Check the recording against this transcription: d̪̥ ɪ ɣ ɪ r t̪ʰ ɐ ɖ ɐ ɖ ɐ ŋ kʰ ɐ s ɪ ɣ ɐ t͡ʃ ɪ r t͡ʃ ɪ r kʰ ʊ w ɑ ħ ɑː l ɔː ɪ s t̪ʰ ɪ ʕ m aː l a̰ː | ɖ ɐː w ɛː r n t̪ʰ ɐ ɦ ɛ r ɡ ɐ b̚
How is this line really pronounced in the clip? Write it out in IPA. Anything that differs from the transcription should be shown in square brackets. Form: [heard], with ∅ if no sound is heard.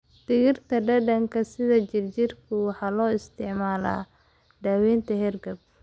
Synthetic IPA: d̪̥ ɪ ɣ ɪ r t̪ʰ ɐ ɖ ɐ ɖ ɐ ŋ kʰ ɐ s ɪ [ð] ɐ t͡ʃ ɪ r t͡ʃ ɪ r kʰ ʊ w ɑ ħ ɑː l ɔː ɪ s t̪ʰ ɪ ʕ m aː l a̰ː | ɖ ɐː w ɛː [∅] n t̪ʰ ɐ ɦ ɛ r ɡ ɐ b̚